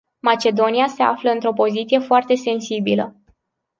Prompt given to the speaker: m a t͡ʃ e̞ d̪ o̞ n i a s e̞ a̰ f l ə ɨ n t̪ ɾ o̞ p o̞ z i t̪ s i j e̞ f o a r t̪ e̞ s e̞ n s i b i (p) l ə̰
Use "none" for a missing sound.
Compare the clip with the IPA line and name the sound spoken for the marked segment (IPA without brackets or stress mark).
none